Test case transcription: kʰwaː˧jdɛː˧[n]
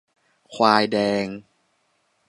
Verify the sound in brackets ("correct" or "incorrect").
incorrect